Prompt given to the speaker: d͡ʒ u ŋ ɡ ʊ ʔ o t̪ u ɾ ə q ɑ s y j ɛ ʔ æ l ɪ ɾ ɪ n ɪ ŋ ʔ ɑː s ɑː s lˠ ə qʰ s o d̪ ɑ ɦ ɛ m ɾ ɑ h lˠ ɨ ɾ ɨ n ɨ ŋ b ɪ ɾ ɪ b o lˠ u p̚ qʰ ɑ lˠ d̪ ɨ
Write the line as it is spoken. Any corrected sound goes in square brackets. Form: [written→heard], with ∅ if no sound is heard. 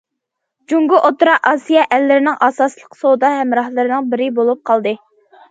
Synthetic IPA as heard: d͡ʒ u ŋ ɡ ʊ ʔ o t̪ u ɾ [ə→ɑ] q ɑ s [y→i] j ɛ ʔ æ [l→lː] ɪ ɾ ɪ n ɪ ŋ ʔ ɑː s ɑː s lˠ ə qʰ s o d̪ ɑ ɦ ɛ m ɾ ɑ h lˠ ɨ ɾ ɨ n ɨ ŋ b ɪ ɾ ɪ b o lˠ u p̚ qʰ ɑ lˠ d̪ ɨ

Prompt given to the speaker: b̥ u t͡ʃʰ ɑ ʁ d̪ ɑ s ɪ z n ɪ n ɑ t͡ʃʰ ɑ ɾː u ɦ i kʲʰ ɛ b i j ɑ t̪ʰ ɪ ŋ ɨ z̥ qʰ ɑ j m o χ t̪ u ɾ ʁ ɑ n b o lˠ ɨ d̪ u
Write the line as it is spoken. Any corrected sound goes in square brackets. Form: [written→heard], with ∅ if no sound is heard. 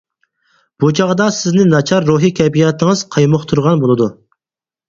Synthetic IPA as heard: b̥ u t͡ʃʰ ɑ ʁ d̪ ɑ s ɪ z n ɪ n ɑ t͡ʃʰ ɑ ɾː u ɦ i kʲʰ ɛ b i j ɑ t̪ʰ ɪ ŋ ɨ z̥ qʰ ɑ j m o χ [t̪→t̪ʰ] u ɾ ʁ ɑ n b o lˠ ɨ d̪ u

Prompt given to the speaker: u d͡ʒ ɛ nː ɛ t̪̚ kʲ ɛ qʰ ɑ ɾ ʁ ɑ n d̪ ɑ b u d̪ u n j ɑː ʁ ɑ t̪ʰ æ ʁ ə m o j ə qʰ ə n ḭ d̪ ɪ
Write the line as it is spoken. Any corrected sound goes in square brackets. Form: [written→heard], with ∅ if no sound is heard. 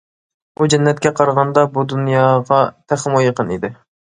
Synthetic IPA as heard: u d͡ʒ ɛ nː ɛ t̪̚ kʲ ɛ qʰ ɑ ɾ ʁ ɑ n d̪ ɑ b u d̪ u n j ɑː ʁ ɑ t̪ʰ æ [ʁ→χ] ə m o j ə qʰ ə n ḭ d̪ ɪ

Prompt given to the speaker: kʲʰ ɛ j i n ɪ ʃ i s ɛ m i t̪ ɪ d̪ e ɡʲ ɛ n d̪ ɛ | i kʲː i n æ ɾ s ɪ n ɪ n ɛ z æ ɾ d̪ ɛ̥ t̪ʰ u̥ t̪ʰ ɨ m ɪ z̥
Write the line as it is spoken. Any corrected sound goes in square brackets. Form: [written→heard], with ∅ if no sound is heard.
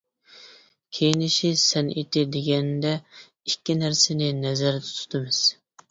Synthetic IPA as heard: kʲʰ [ɛ→e] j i n ɪ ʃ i s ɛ [m→n] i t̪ ɪ d̪ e ɡʲ ɛ n d̪ ɛ | i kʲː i n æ ɾ s ɪ n ɪ n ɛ z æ ɾ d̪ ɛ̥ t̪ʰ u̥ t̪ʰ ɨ m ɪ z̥

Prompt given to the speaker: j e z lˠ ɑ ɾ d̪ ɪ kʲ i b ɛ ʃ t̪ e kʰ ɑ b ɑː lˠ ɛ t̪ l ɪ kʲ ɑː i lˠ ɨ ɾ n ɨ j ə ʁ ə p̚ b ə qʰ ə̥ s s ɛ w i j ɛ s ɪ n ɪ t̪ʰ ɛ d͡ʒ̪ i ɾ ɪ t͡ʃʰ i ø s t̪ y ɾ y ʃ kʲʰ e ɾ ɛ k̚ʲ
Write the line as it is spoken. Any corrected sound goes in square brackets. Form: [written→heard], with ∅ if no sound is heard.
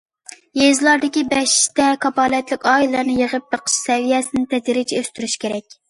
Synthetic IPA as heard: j e z lˠ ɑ ɾ d̪ ɪ kʲ i b ɛ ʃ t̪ [e→ɛ] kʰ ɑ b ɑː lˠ ɛ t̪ l ɪ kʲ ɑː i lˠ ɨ ɾ n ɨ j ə ʁ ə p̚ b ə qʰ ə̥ [s→ʃ] s ɛ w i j ɛ s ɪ n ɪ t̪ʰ ɛ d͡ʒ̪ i ɾ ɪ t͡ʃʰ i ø s t̪ y ɾ y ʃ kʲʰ e ɾ ɛ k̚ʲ

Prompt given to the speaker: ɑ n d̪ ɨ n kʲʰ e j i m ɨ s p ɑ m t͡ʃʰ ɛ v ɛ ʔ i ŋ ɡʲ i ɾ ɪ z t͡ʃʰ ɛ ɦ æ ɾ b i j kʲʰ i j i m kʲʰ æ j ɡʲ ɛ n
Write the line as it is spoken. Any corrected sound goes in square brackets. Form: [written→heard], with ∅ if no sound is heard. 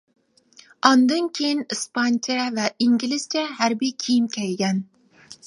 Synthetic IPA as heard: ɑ n d̪ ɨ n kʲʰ e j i [m→n] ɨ s p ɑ [m→n] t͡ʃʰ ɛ v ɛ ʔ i ŋ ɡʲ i [ɾ→l] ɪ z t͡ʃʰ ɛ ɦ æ ɾ b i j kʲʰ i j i m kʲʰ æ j ɡʲ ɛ n

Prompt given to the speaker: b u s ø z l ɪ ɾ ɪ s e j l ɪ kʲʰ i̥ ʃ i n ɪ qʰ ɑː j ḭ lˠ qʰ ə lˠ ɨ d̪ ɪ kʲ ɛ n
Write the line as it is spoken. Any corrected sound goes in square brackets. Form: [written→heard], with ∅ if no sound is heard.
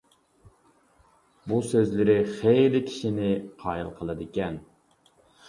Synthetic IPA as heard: b u s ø z l ɪ ɾ ɪ [s→χ] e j l ɪ kʲʰ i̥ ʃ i n ɪ qʰ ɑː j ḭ lˠ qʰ ə lˠ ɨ d̪ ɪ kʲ ɛ n

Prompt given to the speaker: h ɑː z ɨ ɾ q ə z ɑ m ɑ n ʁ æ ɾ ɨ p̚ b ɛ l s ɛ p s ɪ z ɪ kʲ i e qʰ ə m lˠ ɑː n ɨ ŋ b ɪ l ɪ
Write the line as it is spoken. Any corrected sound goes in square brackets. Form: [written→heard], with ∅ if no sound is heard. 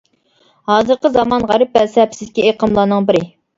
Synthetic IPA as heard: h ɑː z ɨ ɾ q ə z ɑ m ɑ n ʁ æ ɾ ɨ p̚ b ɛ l s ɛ p s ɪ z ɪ kʲ i e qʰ ə m lˠ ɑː n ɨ ŋ b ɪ [l→ɾ] ɪ

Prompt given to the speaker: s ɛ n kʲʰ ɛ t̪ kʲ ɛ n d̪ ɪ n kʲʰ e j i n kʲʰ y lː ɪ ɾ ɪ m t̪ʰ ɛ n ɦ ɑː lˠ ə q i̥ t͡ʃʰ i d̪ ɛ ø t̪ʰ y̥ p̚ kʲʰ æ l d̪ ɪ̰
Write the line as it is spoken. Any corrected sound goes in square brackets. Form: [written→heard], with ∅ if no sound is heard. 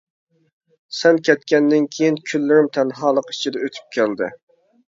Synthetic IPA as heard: s ɛ n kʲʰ ɛ t̪ kʲ ɛ n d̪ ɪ n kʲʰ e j i n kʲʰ y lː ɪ ɾ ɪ m t̪ʰ ɛ n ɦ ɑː lˠ ə q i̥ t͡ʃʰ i d̪ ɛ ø t̪ʰ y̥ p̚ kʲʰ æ l d̪ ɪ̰

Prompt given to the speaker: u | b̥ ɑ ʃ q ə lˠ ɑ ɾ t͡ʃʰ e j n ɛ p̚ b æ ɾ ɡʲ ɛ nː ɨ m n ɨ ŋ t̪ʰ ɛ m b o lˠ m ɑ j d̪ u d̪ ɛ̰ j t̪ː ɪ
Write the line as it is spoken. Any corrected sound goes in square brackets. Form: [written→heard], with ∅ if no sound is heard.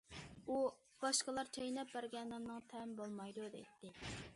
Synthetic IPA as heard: u | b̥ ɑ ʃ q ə lˠ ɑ ɾ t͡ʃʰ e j n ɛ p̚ b æ ɾ ɡʲ ɛ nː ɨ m n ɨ ŋ t̪ʰ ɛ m b o lˠ m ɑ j d̪ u d̪ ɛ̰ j t̪ː ɪ

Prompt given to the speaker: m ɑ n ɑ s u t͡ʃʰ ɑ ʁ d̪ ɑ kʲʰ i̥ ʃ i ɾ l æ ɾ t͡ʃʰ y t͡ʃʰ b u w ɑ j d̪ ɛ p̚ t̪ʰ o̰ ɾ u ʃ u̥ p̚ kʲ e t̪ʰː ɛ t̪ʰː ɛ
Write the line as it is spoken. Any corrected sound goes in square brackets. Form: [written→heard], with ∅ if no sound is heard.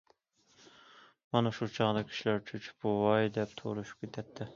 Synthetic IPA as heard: m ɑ n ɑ [s→ʃ] u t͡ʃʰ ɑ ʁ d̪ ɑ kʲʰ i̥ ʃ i [ɾ→∅] l æ ɾ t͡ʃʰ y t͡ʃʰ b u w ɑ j d̪ ɛ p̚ t̪ʰ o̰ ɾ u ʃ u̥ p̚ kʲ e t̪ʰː ɛ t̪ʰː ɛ

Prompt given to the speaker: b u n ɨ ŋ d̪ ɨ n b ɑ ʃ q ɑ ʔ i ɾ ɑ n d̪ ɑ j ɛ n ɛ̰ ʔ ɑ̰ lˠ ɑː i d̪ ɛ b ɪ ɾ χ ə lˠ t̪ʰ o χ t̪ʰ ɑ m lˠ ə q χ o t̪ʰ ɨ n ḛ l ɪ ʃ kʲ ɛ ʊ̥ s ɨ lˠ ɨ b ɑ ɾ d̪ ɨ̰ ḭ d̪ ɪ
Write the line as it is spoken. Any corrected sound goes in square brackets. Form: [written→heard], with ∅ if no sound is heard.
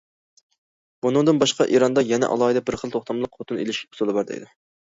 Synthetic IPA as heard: b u n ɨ ŋ d̪ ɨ n b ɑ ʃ q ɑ ʔ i ɾ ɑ n d̪ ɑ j ɛ n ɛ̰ ʔ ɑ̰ lˠ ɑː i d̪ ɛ b ɪ ɾ χ ə lˠ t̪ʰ o χ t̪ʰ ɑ m lˠ ə q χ o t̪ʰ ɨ n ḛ l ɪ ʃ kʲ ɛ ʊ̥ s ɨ lˠ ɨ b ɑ ɾ d̪ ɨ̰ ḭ d̪ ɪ

